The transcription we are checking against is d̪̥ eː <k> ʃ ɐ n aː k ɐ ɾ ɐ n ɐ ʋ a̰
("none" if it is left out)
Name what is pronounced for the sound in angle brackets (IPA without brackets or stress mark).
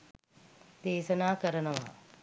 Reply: none